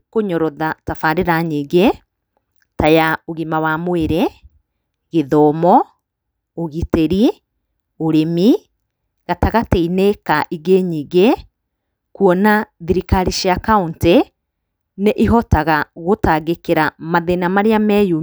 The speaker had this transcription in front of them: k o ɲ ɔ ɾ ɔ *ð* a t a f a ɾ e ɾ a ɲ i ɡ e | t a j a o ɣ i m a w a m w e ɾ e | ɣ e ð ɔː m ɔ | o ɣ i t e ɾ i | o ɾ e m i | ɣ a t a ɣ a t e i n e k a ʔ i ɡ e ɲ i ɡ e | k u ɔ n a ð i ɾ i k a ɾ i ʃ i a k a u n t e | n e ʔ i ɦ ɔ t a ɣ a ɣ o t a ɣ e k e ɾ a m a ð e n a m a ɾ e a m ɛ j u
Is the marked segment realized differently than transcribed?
no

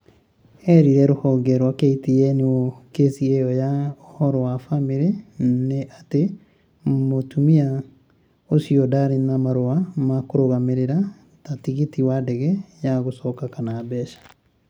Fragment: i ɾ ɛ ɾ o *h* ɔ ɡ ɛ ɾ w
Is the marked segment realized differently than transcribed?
no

